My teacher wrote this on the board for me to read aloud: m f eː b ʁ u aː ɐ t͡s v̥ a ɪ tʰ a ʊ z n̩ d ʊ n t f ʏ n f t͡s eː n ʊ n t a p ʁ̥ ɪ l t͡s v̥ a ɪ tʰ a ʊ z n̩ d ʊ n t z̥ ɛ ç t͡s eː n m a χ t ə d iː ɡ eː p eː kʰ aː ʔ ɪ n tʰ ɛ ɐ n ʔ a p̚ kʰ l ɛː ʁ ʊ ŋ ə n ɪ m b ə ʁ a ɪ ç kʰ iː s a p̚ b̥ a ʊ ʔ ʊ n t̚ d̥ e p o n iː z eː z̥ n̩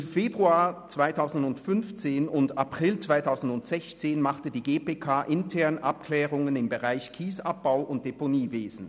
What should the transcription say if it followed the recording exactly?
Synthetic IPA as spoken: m f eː b ʁ u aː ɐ t͡s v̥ a ɪ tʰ a ʊ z n̩ d ʊ n t f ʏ n f t͡s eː n ʊ n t a p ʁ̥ ɪ l t͡s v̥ a ɪ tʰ a ʊ z n̩ d ʊ n t z̥ ɛ ç t͡s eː n m a χ t ə d iː ɡ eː p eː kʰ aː ʔ ɪ n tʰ ɛ ɐ n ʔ a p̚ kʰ l ɛː ʁ ʊ ŋ ə n ɪ m b ə ʁ a ɪ ç kʰ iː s a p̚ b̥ a ʊ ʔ ʊ n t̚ d̥ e p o n iː v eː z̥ n̩